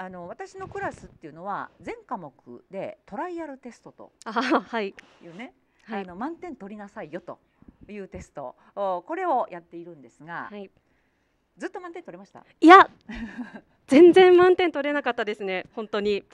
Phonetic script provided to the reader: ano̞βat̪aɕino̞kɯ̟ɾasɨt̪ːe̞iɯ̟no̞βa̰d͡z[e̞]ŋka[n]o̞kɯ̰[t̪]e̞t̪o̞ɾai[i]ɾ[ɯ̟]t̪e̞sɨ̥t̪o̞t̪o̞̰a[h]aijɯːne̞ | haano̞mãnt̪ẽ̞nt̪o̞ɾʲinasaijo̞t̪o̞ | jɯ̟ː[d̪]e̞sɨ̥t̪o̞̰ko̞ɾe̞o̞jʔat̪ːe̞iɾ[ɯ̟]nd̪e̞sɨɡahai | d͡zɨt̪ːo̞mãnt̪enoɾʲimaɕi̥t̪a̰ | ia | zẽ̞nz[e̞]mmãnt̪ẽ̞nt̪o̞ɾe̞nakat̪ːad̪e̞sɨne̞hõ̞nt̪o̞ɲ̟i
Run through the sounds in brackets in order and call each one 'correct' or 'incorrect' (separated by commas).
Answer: incorrect, incorrect, incorrect, incorrect, correct, correct, incorrect, incorrect, incorrect